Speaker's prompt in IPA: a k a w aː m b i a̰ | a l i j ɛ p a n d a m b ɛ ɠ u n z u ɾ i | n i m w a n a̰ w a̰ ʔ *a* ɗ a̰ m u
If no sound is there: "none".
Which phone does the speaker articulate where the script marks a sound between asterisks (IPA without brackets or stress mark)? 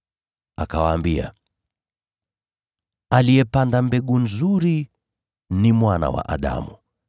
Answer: a